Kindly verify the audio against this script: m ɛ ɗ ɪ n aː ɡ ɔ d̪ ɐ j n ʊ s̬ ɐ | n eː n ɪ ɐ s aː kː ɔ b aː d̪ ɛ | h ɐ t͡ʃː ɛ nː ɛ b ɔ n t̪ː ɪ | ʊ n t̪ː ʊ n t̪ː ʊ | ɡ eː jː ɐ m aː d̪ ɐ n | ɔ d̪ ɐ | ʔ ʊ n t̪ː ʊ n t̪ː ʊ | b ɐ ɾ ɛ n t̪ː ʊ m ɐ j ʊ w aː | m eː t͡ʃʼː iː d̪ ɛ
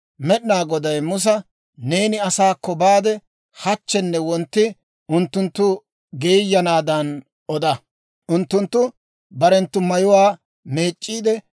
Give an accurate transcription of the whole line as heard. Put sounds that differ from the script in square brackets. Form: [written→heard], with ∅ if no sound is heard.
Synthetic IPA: m ɛ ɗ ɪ n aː ɡ ɔ d̪ ɐ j [n→m] ʊ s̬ ɐ | n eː n ɪ ɐ s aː kː ɔ b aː d̪ ɛ | h ɐ t͡ʃː ɛ nː ɛ [b→w] ɔ n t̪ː ɪ | ʊ n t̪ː ʊ n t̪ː ʊ | ɡ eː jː ɐ [m→n] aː d̪ ɐ n | ɔ d̪ ɐ | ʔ ʊ n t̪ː ʊ n t̪ː ʊ | b ɐ ɾ ɛ n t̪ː ʊ m ɐ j ʊ w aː | m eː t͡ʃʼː iː d̪ ɛ